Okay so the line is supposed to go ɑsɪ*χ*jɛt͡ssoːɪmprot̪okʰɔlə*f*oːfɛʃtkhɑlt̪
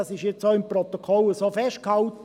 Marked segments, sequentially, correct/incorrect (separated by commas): incorrect, incorrect